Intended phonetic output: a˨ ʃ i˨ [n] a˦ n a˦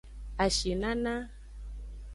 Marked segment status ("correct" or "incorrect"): correct